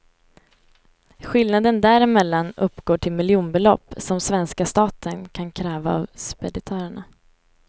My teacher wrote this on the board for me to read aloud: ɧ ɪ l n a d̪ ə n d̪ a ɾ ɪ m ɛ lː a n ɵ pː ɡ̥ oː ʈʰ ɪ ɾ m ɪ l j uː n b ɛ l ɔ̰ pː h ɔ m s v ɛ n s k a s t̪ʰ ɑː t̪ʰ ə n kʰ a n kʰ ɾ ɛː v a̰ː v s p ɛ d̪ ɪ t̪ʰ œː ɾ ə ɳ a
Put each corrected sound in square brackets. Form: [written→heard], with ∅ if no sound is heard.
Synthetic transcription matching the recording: ɧ ɪ l n a d̪ ə n d̪ [a→æ] ɾ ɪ m ɛ lː a n ɵ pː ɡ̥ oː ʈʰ ɪ [ɾ→l] m ɪ l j uː n b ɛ l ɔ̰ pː [h→s] ɔ m s v ɛ n s k a s [t̪ʰ→t̪] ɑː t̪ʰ ə n kʰ a n kʰ ɾ ɛː v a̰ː v s p ɛ d̪ ɪ t̪ʰ œː ɾ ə ɳ a

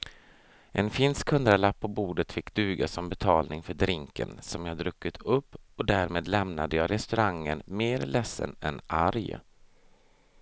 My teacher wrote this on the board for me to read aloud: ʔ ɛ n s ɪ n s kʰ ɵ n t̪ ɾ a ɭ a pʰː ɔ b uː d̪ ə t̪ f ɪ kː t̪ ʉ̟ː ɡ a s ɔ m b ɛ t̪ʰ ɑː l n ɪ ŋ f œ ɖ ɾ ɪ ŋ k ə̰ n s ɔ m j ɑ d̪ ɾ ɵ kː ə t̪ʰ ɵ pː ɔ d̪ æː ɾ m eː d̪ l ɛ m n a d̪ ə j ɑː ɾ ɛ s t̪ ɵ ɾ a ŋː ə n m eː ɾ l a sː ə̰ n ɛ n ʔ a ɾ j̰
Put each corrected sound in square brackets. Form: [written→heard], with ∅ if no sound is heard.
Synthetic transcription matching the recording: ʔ ɛ n [s→f] ɪ n s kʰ ɵ n [t̪→d̪] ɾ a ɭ a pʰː ɔ b uː d̪ ə t̪ f ɪ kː [t̪→d̪] ʉ̟ː ɡ a s ɔ m b ɛ t̪ʰ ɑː l n ɪ ŋ f œ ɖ ɾ ɪ ŋ k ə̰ n s ɔ m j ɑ d̪ ɾ ɵ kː ə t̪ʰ ɵ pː ɔ d̪ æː ɾ m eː d̪ l ɛ m n a d̪ ə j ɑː ɾ ɛ s t̪ ɵ ɾ a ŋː ə n m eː ɾ l [a→ɛ] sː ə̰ n ɛ n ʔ a ɾ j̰

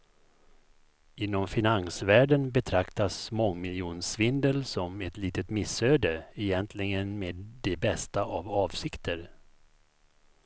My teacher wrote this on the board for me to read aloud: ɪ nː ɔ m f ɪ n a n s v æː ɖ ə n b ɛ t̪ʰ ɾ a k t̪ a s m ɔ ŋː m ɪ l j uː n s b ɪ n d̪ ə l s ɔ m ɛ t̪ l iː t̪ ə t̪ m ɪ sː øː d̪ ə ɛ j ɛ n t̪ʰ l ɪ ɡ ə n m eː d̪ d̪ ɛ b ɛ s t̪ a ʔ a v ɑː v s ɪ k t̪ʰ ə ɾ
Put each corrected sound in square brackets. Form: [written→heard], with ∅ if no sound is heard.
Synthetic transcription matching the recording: ɪ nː ɔ m f ɪ n a n s v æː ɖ ə n b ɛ t̪ʰ ɾ a k t̪ a s m ɔ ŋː m ɪ l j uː n s [b→v] ɪ n d̪ ə l s ɔ m ɛ t̪ l iː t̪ ə t̪ m ɪ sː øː d̪ ə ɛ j ɛ n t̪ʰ l ɪ ɡ ə n m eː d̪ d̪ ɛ b ɛ s t̪ a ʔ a v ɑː v s ɪ k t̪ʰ ə ɾ

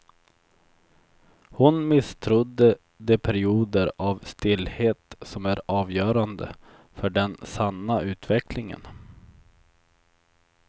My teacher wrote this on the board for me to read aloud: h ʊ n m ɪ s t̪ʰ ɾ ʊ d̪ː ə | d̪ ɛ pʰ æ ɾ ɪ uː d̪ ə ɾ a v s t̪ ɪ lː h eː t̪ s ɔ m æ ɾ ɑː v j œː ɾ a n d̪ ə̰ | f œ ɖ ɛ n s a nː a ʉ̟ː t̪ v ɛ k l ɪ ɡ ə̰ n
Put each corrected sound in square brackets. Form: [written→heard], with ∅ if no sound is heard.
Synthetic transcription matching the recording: h ʊ n m ɪ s t̪ʰ ɾ ʊ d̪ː ə | d̪ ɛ pʰ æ ɾ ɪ uː d̪ ə ɾ a v s t̪ ɪ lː h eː t̪ s ɔ m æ ɾ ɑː v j œː ɾ a n d̪ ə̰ | f œ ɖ ɛ n s a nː a ʉ̟ː t̪ v ɛ k l ɪ [ɡ→ŋ] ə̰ n

